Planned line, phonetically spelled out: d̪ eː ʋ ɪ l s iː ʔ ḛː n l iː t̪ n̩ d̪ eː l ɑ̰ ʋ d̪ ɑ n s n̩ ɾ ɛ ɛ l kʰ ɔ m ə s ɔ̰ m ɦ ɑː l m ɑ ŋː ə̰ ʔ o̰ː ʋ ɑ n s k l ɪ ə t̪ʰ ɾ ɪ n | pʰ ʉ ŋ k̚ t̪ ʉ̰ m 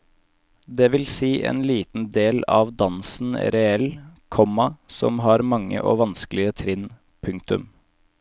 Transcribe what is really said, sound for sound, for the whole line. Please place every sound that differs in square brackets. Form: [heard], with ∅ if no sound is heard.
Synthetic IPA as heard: d̪ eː ʋ ɪ l s iː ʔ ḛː n l iː t̪ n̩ d̪ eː l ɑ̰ ʋ d̪ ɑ n s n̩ ɾ ɛ ɛ l kʰ ɔ m [ɑ] s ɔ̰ m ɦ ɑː [ɾ] m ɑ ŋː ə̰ ʔ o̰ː ʋ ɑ n s k l ɪ ə t̪ʰ ɾ ɪ n | pʰ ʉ ŋ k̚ t̪ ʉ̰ m